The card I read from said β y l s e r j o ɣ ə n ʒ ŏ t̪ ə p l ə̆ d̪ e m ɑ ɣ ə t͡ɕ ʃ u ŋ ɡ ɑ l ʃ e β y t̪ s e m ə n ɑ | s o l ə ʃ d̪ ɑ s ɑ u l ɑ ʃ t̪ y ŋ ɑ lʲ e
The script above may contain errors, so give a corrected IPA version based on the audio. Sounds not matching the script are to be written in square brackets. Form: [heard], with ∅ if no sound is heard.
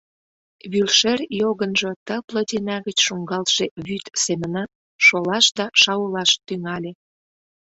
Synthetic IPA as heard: β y l [ʃ] e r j o ɣ ə n ʒ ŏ t̪ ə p l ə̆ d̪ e [n] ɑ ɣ ə t͡ɕ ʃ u ŋ ɡ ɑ l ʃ e β y t̪ s e m ə n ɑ | [ʃ] o l [ɑ] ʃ d̪ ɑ [ʃ] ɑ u l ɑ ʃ t̪ y ŋ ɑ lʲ e